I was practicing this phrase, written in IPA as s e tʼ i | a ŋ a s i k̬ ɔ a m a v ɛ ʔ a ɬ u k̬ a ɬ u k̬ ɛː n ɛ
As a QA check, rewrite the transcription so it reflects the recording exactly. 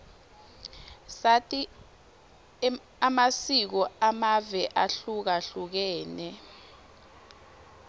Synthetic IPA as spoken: s a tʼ i | a m a s i k̬ ɔ a m a v ɛ ʔ a ɬ u k̬ a ɬ u k̬ ɛː n ɛ